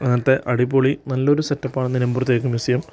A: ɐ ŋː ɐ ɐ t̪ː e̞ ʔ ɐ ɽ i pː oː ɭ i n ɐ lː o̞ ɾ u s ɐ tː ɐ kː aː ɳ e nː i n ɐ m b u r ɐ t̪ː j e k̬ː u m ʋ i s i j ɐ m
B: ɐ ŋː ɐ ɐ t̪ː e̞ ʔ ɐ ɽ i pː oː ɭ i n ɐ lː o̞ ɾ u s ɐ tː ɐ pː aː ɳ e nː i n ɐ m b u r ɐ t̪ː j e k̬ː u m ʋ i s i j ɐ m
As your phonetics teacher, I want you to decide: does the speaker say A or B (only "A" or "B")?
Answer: B